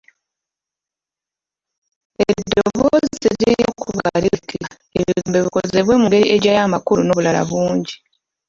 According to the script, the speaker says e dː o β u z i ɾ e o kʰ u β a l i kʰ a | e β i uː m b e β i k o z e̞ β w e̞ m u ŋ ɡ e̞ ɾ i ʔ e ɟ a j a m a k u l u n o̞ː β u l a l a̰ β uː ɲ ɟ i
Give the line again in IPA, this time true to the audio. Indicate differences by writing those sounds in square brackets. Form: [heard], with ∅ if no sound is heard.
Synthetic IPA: e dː o β [o] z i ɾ [i] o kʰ u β a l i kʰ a | e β i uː m b e β i k o z e̞ β w e̞ m u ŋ ɡ e̞ ɾ i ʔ e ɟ a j a m a k u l u n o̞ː β u l a l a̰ β uː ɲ ɟ i